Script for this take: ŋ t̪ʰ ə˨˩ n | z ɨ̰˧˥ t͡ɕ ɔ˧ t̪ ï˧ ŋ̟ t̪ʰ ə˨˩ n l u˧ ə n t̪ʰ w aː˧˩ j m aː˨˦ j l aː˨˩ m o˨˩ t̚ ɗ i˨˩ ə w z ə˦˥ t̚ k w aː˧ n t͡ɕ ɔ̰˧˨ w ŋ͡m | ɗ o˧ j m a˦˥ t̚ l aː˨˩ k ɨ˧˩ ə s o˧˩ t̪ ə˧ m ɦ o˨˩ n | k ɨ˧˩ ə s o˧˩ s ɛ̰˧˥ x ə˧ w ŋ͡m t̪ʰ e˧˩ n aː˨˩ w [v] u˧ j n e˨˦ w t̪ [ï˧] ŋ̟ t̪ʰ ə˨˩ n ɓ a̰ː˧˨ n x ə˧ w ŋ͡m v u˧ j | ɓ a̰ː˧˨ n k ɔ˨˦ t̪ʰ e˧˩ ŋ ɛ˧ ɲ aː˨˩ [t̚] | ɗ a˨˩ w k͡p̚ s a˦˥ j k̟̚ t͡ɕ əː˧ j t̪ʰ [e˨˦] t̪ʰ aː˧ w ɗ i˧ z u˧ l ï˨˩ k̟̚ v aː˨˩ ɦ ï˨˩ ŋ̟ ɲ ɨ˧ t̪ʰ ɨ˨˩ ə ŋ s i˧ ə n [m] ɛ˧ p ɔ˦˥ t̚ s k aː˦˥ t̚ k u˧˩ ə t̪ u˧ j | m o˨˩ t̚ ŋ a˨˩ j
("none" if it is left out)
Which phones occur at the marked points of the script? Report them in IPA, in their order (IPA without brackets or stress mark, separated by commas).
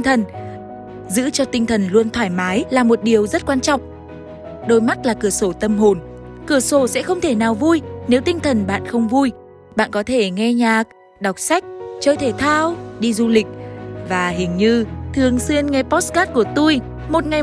v, ï˧, k̚, e˧˩, ŋ